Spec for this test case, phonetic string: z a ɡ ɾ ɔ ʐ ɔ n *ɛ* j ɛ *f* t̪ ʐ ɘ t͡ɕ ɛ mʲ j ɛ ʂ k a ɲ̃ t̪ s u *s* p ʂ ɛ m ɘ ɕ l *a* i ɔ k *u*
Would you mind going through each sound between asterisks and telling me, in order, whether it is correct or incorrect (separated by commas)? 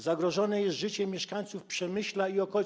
correct, incorrect, incorrect, correct, incorrect